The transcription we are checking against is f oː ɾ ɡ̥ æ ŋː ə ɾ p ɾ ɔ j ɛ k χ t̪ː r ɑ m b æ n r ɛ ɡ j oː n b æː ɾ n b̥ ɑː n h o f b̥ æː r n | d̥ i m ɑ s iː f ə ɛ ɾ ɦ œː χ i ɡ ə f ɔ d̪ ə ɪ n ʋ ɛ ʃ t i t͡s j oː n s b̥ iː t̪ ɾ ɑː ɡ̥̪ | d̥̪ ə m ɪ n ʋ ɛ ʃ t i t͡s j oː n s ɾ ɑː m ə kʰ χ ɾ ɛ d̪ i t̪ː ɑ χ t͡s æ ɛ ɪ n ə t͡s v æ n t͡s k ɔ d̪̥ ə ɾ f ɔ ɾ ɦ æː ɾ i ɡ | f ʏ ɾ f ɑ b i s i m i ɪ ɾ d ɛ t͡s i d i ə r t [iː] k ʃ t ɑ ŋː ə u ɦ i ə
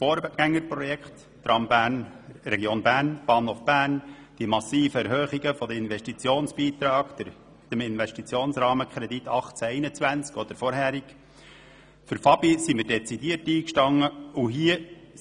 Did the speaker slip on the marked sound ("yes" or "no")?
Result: no